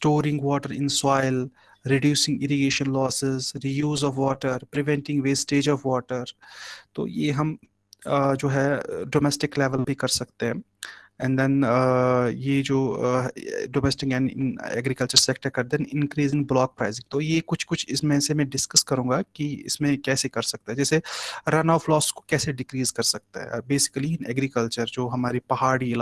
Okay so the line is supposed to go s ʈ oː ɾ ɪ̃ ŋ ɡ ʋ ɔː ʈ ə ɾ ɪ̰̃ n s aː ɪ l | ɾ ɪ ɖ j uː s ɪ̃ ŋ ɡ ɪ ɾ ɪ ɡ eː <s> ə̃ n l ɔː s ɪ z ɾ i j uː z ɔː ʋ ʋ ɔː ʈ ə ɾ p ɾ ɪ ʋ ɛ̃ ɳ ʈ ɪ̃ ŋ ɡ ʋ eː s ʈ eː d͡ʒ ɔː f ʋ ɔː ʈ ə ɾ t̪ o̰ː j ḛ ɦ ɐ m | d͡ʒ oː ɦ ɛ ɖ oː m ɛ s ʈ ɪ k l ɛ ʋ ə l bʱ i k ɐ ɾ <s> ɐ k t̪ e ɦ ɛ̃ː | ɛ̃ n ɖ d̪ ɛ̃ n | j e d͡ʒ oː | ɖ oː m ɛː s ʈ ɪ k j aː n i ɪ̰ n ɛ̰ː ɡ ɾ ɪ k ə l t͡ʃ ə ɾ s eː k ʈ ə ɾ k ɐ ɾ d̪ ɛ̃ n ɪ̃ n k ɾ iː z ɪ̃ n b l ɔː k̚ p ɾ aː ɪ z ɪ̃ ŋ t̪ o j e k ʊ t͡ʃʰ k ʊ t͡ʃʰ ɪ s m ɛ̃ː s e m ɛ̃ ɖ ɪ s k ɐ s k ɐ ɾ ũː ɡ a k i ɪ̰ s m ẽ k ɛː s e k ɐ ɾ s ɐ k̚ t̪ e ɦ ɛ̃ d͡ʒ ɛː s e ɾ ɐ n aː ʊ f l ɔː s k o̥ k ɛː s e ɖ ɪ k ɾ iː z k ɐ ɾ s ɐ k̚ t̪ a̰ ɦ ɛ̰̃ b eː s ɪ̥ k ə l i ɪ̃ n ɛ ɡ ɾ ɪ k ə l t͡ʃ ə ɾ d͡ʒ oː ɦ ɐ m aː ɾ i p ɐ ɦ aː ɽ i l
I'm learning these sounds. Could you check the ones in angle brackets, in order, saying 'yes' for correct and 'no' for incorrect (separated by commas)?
no, yes